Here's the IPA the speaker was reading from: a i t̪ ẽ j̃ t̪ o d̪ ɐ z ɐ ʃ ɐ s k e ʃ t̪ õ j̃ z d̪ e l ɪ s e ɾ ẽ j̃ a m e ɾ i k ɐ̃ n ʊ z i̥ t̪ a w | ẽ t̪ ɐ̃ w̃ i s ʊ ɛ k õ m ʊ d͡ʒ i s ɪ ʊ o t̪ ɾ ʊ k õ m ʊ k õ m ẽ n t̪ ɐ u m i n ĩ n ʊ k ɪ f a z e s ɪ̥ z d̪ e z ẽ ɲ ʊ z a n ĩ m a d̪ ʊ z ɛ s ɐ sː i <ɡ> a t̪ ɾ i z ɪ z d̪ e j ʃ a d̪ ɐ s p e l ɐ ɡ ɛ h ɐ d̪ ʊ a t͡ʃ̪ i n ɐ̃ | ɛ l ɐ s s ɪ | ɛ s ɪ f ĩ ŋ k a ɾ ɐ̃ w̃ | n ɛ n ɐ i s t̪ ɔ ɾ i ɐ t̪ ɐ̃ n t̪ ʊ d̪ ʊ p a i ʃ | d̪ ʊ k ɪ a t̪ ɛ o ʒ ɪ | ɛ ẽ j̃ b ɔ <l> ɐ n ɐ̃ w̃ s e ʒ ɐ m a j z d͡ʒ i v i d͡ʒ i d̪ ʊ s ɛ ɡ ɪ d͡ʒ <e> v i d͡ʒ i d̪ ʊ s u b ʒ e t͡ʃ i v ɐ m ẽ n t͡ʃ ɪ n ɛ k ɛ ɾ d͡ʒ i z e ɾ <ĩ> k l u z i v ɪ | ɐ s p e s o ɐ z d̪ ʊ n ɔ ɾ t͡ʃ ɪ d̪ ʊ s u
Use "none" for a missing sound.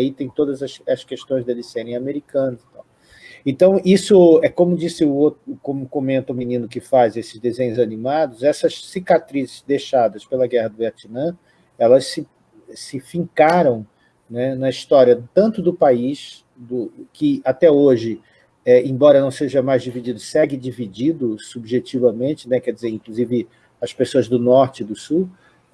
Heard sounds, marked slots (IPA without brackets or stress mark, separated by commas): k, ɾ, i, ĩ